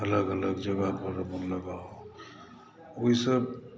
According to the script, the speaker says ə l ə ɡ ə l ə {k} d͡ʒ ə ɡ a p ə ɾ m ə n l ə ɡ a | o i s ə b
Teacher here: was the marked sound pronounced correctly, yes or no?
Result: no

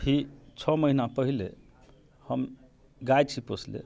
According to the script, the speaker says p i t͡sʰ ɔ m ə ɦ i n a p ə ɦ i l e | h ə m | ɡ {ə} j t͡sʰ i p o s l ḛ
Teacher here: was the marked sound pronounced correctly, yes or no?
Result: no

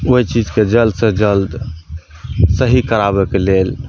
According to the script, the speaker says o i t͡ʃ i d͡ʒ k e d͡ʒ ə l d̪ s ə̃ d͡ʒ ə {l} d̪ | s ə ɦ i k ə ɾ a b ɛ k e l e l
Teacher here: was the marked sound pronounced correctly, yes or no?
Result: yes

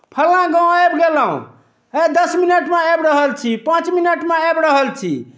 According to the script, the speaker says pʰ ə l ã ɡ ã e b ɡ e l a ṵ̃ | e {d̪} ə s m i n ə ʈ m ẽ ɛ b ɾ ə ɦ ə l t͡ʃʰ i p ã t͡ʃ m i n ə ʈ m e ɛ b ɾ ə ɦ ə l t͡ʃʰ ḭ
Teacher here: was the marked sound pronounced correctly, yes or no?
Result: yes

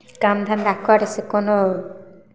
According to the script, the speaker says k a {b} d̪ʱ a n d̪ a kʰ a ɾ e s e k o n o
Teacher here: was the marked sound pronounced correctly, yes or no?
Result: no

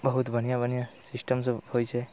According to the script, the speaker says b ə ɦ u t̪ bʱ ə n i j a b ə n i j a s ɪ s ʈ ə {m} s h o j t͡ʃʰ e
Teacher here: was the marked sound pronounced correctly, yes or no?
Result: yes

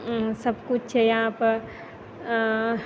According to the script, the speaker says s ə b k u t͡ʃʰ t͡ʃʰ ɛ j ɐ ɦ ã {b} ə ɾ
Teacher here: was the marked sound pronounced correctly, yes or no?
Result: no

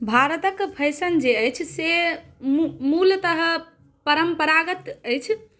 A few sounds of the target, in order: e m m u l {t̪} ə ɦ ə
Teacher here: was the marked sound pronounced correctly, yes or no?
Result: yes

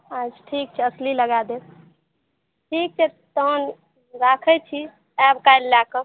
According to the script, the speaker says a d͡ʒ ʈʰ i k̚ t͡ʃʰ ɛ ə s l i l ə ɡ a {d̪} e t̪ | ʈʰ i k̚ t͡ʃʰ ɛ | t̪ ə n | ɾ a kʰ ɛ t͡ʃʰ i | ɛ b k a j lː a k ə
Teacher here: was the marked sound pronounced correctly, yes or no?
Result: yes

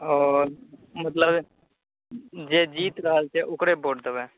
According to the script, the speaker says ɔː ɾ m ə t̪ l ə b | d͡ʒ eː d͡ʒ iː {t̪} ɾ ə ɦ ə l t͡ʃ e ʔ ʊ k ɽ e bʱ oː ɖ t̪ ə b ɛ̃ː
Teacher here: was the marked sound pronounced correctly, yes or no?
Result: yes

